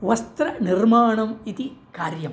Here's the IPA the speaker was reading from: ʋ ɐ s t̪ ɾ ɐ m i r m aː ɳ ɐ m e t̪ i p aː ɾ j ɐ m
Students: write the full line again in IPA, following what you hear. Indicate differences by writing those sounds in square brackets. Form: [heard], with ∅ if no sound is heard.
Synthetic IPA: ʋ ɐ s t̪ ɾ ɐ [n] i r m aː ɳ ɐ m [i] t̪ i [k] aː ɾ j ɐ m